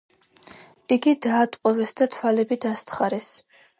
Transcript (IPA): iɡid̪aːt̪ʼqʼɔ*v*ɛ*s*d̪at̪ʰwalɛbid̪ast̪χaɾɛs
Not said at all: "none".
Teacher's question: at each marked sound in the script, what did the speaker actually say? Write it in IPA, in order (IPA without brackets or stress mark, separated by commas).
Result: v, s